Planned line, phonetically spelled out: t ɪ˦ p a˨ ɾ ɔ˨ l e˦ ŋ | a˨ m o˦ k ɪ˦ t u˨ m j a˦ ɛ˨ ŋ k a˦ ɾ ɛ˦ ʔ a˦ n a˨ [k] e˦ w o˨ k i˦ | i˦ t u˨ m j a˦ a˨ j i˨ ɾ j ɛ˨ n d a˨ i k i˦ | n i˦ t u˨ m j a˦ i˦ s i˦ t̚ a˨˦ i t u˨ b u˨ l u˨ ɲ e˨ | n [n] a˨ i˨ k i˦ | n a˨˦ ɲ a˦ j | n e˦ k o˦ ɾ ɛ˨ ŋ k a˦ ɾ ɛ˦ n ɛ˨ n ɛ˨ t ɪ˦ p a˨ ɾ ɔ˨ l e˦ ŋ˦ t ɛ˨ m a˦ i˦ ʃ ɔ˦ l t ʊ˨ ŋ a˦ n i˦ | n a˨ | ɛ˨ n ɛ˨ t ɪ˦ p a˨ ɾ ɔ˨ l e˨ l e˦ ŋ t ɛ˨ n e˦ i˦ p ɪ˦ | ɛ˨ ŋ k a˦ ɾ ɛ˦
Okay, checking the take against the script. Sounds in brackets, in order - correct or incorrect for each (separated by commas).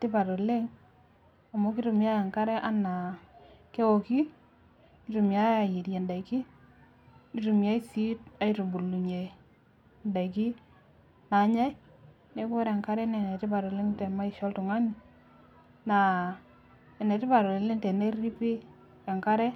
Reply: correct, incorrect